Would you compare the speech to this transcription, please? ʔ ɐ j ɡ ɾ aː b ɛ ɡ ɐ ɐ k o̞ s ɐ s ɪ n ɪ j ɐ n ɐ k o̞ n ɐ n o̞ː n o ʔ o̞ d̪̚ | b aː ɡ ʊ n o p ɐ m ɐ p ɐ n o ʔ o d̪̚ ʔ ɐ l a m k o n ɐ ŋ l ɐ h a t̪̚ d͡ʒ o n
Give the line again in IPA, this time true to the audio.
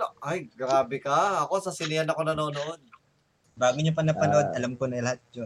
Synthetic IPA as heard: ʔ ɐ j ɡ ɾ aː b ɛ k ɐ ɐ k o̞ s ɐ s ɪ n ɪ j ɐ n ɐ k o̞ n ɐ n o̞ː n o ʔ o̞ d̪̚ | b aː ɡ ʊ ɲ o p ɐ n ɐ p ɐ n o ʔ o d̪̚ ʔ ɐ l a m k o n ɐ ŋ l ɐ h a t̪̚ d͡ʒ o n